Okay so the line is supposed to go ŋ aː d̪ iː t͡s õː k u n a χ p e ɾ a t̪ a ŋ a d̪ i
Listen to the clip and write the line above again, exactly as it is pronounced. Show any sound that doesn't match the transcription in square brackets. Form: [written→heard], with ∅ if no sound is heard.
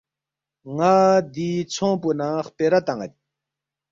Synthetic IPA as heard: ŋ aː d̪ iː [t͡s→t͡sʰ] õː [k→p] u n a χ p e ɾ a t̪ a ŋ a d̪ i